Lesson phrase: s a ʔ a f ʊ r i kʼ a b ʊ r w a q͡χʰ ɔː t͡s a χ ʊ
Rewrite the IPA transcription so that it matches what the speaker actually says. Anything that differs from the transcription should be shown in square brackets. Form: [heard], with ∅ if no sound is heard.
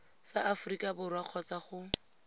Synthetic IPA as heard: s a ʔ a f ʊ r i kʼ a b ʊ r w a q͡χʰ [ɔ] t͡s a χ ʊ